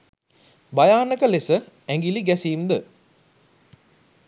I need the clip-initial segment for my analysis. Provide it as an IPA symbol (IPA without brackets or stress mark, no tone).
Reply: b